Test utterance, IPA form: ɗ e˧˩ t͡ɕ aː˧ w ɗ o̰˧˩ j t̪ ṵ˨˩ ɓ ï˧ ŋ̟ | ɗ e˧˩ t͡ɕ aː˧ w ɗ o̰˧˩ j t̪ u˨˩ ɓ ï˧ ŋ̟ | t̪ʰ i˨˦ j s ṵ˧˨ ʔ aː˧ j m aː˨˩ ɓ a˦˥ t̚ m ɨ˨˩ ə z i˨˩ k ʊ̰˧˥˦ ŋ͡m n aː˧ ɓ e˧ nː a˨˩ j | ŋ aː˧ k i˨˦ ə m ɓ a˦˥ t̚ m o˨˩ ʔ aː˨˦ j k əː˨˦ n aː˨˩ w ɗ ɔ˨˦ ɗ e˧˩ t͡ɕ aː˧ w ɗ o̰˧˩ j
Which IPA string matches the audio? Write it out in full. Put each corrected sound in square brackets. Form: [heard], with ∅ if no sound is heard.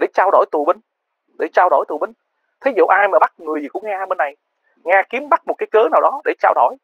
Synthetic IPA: ɗ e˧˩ t͡ɕ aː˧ w ɗ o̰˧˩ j t̪ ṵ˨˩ ɓ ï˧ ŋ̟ | ɗ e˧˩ t͡ɕ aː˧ w ɗ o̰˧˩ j t̪ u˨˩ ɓ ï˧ ŋ̟ | t̪ʰ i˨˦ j [z] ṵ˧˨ ʔ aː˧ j m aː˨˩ ɓ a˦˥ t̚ [ŋ] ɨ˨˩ ə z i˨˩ k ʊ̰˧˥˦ ŋ͡m [ŋ] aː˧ ɓ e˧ nː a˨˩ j | ŋ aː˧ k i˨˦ ə m ɓ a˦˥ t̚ m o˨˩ [k] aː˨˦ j k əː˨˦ n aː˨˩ w ɗ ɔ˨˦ ɗ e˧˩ t͡ɕ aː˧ w ɗ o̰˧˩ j